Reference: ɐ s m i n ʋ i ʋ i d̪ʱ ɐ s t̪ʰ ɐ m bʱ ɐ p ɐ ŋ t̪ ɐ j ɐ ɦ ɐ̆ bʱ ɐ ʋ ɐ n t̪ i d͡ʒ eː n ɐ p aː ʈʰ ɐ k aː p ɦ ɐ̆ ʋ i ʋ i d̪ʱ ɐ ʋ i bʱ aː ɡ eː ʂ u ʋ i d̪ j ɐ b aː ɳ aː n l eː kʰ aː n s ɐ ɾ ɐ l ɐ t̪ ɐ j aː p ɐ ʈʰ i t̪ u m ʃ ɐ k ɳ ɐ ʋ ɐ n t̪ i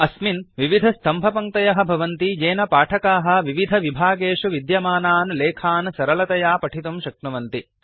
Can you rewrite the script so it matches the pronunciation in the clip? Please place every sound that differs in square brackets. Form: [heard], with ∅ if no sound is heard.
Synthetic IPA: ɐ s m i n ʋ i ʋ i d̪ʱ ɐ s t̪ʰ ɐ m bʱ ɐ p ɐ ŋ t̪ ɐ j ɐ ɦ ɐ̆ bʱ ɐ ʋ ɐ n t̪ i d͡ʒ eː n ɐ p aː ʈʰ ɐ k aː [∅] ɦ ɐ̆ ʋ i ʋ i d̪ʱ ɐ ʋ i bʱ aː ɡ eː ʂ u ʋ i d̪ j ɐ [m] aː [n] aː n l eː kʰ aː n s ɐ ɾ ɐ l ɐ t̪ ɐ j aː p ɐ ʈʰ i t̪ u m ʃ ɐ k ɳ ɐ ʋ ɐ n t̪ i

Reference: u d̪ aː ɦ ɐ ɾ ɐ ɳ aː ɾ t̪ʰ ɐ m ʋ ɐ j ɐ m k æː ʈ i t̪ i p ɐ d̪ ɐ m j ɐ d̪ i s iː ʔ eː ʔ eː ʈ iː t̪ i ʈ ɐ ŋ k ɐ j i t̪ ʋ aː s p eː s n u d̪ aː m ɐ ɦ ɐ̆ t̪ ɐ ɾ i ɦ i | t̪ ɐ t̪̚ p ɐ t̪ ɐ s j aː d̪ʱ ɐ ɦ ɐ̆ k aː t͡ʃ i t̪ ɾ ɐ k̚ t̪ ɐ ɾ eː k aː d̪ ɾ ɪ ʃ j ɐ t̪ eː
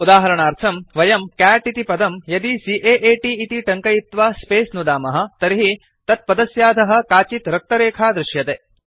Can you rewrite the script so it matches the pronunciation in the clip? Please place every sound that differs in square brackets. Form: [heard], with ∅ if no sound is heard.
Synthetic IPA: u d̪ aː ɦ ɐ ɾ ɐ ɳ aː ɾ t̪ʰ ɐ m ʋ ɐ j ɐ m k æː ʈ i t̪ i p ɐ d̪ ɐ m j ɐ d̪ i s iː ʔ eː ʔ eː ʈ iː t̪ i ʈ ɐ ŋ k ɐ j i t̪ ʋ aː s p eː s n u d̪ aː m ɐ ɦ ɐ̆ t̪ ɐ ɾ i ɦ i | t̪ ɐ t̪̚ p ɐ [d̪] ɐ s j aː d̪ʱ ɐ ɦ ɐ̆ k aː t͡ʃ i t̪ ɾ ɐ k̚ t̪ ɐ ɾ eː [kʰ] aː d̪ ɾ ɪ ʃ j ɐ t̪ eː

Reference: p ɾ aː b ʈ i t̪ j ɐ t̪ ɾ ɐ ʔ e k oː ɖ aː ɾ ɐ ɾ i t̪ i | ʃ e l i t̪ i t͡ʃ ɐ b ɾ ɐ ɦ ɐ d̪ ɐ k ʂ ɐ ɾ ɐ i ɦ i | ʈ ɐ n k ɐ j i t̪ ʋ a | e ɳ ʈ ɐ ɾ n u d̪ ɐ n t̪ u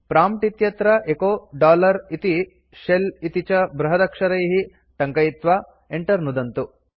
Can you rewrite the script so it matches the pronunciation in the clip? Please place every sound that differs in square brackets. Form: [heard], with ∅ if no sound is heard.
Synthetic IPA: p ɾ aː [m] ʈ i t̪ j ɐ t̪ ɾ ɐ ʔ e k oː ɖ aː [l] ɐ ɾ i t̪ i | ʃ e l i t̪ i t͡ʃ ɐ b ɾ ɐ ɦ ɐ d̪ ɐ k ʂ ɐ ɾ ɐ [j] ɦ i | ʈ ɐ [ŋ] k ɐ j i t̪ ʋ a | e ɳ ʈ ɐ ɾ n u d̪ ɐ n t̪ u

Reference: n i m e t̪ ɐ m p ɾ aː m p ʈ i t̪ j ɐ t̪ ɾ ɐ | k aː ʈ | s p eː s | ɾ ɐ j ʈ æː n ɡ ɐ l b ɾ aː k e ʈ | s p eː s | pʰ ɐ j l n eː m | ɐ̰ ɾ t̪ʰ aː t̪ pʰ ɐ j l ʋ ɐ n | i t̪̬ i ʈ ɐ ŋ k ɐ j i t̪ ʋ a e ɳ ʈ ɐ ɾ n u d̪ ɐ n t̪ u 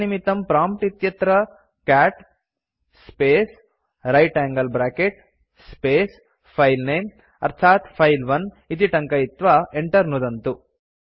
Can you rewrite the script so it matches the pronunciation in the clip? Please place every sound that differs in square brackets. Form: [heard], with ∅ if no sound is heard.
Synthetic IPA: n i m [i] t̪ ɐ m p ɾ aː m p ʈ i t̪ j ɐ t̪ ɾ ɐ | k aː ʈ | s p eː s | ɾ ɐ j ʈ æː [ŋ] ɡ ɐ l b ɾ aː k e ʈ | s p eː s | pʰ ɐ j l n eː m | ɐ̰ ɾ t̪ʰ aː t̪ pʰ ɐ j l ʋ ɐ n | i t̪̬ i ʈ ɐ ŋ k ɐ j i t̪ ʋ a e ɳ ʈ ɐ ɾ n u d̪ ɐ n t̪ u

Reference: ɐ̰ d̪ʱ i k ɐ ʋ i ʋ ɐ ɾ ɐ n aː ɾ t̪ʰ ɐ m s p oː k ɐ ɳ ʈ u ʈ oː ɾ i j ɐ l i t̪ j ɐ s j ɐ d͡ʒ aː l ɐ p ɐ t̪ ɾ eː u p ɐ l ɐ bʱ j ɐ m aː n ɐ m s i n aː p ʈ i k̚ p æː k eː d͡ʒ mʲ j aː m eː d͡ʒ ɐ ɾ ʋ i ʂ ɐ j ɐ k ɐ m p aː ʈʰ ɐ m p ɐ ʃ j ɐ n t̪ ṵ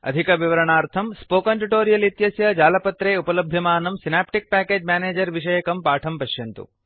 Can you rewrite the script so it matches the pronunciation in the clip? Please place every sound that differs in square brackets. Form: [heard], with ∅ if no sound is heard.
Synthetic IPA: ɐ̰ d̪ʱ i k ɐ ʋ i ʋ ɐ ɾ ɐ [ɳ] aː ɾ t̪ʰ ɐ m s p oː k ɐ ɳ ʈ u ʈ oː ɾ i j ɐ l i t̪ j ɐ s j ɐ d͡ʒ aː l ɐ p ɐ t̪ ɾ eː u p ɐ l ɐ bʱ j ɐ m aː n ɐ m s i n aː p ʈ i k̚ p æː k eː d͡ʒ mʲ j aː [n] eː d͡ʒ ɐ ɾ ʋ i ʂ ɐ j ɐ k ɐ m p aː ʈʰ ɐ m p ɐ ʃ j ɐ n t̪ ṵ

